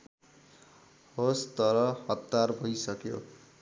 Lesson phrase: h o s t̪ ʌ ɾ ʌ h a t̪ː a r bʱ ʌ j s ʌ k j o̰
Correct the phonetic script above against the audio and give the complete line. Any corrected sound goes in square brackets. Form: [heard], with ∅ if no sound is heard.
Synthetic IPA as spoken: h o s t̪ ʌ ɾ ʌ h [ʌ] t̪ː a r bʱ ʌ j s ʌ k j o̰